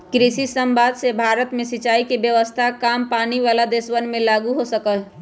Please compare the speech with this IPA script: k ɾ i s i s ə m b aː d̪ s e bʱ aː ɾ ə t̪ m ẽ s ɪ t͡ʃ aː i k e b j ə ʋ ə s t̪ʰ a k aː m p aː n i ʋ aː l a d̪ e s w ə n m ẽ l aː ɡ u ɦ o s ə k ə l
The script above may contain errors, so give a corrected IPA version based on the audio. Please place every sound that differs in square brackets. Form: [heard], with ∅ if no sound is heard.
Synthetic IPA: k ɾ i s i s ə m b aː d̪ s e bʱ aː ɾ ə t̪ m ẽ s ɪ t͡ʃ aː i k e b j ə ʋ ə s t̪ʰ a k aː m p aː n i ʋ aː l a d̪ e s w ə n m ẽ l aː ɡ u ɦ o s ə k ə l